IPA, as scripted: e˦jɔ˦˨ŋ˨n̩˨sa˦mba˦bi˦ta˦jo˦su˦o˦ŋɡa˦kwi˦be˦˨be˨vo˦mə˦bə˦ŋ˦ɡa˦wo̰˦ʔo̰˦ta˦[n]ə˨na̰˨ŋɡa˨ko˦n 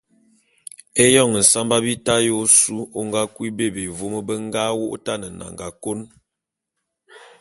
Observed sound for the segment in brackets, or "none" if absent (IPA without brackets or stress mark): n